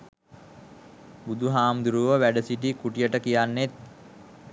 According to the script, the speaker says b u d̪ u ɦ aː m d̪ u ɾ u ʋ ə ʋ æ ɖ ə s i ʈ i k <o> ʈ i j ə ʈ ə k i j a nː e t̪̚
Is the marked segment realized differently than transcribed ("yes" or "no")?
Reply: yes